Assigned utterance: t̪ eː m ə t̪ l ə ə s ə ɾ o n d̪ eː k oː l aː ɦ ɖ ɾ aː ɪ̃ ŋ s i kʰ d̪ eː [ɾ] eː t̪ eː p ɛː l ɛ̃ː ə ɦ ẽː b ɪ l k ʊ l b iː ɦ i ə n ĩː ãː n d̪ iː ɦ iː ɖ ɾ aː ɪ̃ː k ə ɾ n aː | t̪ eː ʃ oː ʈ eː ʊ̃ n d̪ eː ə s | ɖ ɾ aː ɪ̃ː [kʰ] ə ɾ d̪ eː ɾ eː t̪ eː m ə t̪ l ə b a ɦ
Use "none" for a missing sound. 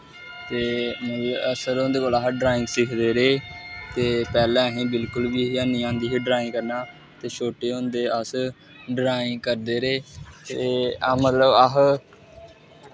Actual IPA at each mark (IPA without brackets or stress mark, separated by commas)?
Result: ɾ, k